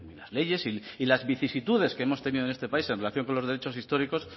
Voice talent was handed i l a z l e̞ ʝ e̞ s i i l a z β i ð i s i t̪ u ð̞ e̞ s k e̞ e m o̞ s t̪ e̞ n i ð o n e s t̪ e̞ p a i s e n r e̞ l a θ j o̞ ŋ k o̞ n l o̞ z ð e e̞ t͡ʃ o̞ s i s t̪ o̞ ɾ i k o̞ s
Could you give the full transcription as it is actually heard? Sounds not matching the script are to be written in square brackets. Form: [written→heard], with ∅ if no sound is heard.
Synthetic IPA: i l a z l e̞ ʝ e̞ s i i l a z β i [ð→θ] i s i t̪ u ð̞ e̞ s k e̞ e m o̞ s t̪ e̞ n i ð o n e s t̪ e̞ p a i s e n r e̞ l a θ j o̞ ŋ k o̞ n l o̞ z ð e e̞ t͡ʃ o̞ s i s t̪ o̞ ɾ i k o̞ s